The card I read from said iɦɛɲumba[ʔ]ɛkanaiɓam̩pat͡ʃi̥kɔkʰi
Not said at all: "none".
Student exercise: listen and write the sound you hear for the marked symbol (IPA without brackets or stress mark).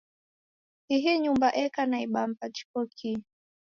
ʔ